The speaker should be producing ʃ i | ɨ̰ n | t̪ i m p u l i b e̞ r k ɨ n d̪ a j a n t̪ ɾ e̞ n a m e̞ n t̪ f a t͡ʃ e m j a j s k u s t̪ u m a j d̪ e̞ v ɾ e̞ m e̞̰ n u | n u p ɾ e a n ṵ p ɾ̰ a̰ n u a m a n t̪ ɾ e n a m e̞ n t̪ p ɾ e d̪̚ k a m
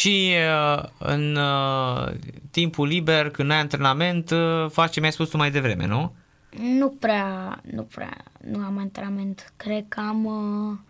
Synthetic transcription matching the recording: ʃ i | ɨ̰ n | t̪ i m p u l i b e̞ r k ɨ n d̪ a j a n t̪ ɾ e̞ n a m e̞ n t̪ f a t͡ʃ e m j a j s p u s t̪ u m a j d̪ e̞ v ɾ e̞ m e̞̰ n u | n u p ɾ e a n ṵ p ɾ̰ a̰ n u a m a n t̪ ɾ e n a m e̞ n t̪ k ɾ e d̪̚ k a m